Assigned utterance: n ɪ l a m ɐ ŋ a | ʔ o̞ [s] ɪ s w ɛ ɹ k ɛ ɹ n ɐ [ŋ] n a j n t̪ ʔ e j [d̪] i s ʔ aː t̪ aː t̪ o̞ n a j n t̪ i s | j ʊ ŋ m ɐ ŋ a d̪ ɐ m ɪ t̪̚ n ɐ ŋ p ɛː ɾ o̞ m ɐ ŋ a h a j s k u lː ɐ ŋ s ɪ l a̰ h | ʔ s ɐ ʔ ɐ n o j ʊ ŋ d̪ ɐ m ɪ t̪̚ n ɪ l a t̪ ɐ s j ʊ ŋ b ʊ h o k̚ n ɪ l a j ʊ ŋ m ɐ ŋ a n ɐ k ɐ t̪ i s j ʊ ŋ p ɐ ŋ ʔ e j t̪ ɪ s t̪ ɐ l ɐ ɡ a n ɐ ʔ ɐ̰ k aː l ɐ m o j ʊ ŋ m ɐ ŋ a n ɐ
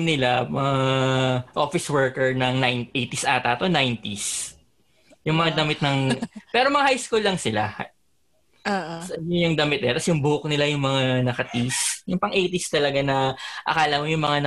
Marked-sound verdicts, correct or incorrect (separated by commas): incorrect, correct, incorrect